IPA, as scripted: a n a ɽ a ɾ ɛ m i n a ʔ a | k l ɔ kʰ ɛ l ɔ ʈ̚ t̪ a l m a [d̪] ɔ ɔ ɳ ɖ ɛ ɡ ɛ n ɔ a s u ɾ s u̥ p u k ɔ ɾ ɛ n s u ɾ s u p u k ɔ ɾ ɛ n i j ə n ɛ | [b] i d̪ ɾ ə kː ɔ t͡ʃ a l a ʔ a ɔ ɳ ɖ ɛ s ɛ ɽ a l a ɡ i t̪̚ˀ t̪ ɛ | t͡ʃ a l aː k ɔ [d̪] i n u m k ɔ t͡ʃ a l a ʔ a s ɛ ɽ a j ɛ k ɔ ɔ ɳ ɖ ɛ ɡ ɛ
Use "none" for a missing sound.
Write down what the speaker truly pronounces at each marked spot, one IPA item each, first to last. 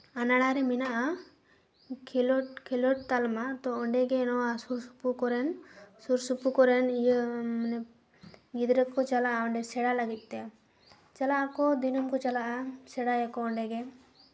t̪, ɡ, d̪

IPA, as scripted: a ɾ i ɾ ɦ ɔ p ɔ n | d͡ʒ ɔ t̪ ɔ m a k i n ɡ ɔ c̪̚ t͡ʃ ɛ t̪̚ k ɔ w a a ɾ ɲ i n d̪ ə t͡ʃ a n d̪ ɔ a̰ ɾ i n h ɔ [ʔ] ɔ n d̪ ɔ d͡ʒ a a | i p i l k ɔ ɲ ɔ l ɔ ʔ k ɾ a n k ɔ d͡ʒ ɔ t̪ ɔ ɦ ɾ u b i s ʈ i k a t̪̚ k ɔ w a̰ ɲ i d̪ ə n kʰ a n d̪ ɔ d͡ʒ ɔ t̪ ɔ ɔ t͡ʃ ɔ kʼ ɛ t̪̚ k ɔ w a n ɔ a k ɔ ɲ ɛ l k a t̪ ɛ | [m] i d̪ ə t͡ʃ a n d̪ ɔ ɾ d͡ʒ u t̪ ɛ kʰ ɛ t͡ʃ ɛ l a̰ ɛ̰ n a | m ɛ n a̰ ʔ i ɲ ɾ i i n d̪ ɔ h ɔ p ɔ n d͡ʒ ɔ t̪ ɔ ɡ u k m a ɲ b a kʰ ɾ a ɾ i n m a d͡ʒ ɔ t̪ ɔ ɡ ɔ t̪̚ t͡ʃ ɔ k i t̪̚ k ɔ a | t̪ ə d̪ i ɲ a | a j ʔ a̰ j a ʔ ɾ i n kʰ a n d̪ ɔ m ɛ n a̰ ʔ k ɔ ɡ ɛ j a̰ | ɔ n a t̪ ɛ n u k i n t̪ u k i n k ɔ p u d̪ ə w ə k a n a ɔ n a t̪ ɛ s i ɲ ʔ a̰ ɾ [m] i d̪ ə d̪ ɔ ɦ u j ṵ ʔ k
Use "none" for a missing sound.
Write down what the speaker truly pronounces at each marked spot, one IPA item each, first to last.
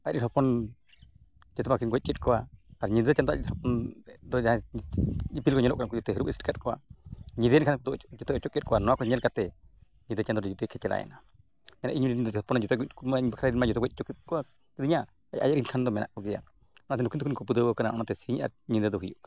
p, ɲ, ɲ

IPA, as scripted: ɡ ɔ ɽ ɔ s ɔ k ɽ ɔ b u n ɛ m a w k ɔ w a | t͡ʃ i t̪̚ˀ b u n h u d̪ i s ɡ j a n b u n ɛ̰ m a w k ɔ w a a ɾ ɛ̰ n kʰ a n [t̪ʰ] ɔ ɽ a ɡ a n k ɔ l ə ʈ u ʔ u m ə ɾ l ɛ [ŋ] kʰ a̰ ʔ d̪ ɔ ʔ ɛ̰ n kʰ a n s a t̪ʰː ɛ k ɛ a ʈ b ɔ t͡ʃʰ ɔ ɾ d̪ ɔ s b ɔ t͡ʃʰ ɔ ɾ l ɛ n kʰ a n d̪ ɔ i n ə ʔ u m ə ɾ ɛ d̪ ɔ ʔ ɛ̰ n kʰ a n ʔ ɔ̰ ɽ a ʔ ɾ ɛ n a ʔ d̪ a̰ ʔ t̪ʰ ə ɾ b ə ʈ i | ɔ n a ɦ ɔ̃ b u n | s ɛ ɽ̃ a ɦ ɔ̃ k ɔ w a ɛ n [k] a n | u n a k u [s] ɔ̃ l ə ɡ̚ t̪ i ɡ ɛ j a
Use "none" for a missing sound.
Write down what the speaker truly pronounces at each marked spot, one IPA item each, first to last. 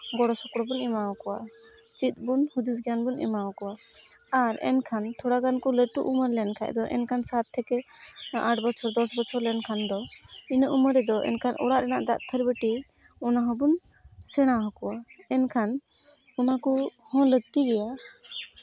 t̪ʰ, n, kʰ, h

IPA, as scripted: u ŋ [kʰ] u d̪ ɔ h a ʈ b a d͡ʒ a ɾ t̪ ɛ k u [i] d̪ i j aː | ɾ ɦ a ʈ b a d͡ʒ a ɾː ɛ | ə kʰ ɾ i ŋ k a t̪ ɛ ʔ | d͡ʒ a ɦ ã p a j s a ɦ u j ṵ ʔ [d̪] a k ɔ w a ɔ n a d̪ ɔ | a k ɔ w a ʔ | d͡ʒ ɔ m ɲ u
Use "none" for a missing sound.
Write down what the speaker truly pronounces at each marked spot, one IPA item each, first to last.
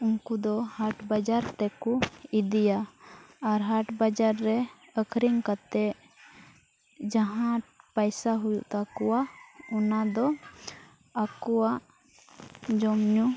k, i, t̪

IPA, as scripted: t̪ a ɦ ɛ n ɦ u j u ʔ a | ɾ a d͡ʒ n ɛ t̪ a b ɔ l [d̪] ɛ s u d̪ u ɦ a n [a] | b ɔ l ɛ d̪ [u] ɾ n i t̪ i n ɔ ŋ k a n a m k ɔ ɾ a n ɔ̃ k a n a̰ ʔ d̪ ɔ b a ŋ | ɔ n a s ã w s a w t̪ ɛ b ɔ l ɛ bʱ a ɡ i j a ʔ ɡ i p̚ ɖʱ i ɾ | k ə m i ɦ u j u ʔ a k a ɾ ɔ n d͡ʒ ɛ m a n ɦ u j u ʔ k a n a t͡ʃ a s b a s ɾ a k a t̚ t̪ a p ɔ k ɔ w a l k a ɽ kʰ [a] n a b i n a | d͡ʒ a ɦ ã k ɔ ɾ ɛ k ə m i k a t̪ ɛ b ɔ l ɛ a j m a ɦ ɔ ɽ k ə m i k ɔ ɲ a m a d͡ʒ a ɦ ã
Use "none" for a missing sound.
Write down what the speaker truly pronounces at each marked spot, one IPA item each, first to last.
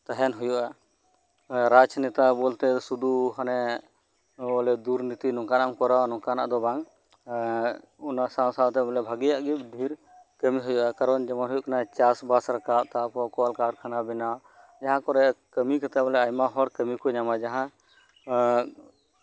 t̪, ɛ, u, a

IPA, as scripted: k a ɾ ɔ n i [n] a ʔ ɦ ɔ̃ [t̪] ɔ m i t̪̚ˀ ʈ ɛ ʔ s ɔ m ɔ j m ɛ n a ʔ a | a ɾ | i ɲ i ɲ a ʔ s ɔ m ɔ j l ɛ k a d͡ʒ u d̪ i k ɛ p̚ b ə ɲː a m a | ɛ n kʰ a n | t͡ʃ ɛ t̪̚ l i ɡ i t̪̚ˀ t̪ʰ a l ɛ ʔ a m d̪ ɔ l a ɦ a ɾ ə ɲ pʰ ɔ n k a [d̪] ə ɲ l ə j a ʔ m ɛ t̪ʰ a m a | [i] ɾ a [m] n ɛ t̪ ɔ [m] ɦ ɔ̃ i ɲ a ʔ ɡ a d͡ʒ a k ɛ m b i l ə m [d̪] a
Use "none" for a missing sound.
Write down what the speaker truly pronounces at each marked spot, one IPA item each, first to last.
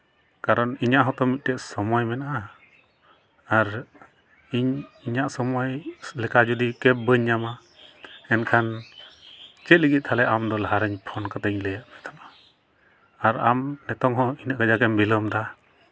ɲ, t̪, t̪, a, m, ŋ, d̪

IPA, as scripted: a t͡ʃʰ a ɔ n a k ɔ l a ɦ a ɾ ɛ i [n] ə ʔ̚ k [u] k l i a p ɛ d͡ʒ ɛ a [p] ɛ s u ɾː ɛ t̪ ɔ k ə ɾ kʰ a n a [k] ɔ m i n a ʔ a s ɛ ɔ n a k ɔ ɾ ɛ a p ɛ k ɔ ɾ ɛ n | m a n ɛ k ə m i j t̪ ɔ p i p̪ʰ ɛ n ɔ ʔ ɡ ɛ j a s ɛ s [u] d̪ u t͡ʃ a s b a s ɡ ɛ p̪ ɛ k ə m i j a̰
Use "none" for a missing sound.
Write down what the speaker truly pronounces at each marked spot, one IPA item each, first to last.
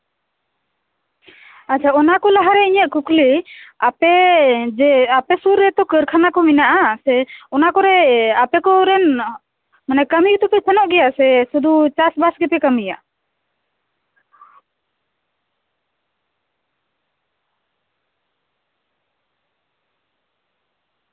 ɲ, u, p, k, u

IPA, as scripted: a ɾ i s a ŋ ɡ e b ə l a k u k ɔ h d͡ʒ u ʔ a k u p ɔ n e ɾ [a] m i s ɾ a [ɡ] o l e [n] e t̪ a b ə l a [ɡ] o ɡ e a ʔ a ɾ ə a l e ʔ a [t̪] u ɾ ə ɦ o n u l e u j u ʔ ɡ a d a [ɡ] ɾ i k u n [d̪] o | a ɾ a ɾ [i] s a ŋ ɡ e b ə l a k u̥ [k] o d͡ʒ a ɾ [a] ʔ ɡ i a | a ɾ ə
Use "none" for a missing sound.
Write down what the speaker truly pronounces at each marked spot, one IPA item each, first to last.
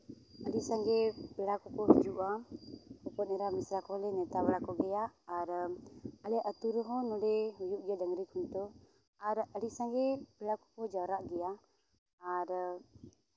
a, k, n, k, t̪, ŋ, t̪, i, k, a

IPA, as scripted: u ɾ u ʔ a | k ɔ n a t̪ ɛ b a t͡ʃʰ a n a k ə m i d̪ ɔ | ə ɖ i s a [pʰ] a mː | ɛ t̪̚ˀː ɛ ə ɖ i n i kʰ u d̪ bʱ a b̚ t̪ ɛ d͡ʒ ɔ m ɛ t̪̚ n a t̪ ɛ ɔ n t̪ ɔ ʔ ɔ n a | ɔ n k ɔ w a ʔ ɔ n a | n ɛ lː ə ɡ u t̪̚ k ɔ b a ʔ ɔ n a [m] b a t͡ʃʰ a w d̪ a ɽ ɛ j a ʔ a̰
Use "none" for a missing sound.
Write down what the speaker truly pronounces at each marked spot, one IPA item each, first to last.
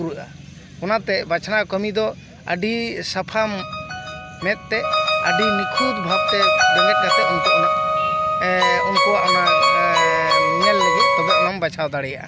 pʰ, m

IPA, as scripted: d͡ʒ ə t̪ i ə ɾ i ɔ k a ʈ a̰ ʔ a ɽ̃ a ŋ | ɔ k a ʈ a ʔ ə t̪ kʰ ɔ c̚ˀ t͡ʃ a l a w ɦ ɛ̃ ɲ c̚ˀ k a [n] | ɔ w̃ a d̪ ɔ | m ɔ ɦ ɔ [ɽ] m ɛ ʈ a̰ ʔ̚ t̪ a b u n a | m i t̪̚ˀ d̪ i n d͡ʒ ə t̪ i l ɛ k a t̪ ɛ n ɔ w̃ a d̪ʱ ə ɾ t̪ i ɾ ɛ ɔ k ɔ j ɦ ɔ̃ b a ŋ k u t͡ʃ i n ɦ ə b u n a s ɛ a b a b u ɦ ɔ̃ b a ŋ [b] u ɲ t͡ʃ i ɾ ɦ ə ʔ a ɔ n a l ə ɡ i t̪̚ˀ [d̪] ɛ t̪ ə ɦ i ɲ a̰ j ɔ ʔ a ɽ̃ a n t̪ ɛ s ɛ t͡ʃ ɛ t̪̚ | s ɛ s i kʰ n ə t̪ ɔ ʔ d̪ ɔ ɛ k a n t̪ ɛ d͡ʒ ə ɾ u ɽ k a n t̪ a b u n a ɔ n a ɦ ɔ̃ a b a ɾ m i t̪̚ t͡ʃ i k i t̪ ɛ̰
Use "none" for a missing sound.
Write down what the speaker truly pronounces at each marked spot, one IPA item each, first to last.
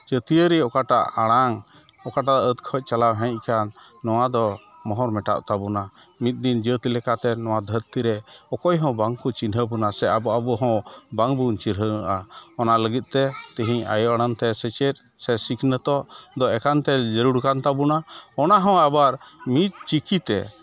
nː, ɾ, b, t̪

